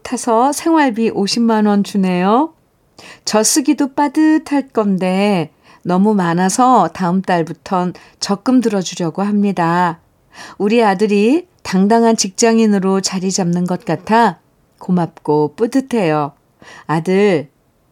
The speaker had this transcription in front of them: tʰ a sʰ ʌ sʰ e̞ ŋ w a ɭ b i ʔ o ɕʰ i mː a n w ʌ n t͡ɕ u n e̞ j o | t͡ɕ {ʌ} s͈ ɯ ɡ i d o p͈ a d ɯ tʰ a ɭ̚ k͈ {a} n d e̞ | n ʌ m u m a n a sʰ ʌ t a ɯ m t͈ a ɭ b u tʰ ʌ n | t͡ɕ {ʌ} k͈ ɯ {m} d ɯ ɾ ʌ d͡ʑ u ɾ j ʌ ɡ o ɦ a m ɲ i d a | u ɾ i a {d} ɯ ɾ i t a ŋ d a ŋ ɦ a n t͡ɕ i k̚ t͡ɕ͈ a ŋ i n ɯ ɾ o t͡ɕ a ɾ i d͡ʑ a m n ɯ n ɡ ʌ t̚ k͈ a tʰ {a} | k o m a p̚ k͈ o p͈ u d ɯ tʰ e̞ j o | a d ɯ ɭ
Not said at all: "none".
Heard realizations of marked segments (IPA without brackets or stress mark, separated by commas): ʌ, ʌ, ʌ, m, d, a